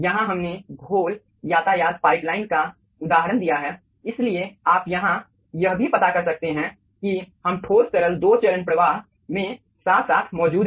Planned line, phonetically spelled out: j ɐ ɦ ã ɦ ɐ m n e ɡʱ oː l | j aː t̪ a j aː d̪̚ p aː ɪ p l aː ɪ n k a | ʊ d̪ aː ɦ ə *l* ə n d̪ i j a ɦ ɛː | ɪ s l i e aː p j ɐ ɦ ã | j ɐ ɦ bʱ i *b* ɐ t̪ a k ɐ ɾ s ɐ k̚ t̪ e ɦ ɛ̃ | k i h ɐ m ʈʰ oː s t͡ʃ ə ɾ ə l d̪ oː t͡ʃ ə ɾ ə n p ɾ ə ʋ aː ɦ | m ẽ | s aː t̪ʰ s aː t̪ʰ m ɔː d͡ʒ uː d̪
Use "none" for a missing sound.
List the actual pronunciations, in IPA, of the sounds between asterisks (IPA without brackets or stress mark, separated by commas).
ɾ, p